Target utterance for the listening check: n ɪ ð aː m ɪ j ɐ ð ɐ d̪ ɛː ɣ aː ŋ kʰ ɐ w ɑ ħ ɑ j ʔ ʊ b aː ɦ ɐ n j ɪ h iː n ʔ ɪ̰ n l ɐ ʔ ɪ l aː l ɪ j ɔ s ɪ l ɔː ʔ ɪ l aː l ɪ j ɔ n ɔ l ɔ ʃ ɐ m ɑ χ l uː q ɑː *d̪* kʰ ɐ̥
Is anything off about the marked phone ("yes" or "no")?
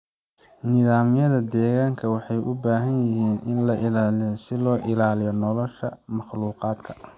no